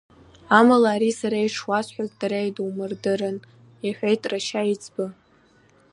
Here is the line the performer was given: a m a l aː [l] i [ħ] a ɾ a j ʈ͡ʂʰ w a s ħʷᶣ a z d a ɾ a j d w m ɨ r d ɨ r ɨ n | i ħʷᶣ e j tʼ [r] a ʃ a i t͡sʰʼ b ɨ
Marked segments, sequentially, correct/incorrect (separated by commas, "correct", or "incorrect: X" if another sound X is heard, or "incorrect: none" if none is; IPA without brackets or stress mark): incorrect: ɾ, incorrect: s, correct